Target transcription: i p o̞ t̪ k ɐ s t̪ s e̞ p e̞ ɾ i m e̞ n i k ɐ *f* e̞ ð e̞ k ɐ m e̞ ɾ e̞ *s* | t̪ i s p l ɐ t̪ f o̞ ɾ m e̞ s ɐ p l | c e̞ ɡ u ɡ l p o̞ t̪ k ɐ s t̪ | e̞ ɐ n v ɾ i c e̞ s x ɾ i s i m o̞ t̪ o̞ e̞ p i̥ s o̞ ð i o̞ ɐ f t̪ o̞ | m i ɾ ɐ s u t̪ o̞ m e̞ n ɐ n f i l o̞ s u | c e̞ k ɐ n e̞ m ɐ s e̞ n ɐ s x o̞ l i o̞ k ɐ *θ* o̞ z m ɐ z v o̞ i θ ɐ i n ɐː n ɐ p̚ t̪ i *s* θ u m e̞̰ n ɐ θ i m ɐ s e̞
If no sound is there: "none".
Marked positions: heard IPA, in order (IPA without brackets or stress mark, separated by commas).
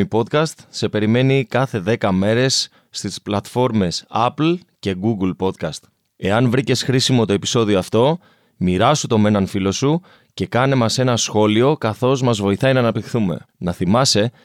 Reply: θ, sː, θ, x